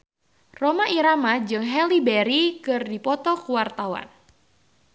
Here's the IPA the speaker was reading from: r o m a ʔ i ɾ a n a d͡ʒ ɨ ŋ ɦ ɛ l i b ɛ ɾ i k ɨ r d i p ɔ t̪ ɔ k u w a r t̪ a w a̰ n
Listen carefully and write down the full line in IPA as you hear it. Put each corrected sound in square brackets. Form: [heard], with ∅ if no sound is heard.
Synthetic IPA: r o m a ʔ i ɾ a [m] a d͡ʒ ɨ ŋ ɦ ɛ l i b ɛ ɾ i k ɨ r d i p ɔ t̪ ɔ k u w a r t̪ a w a̰ n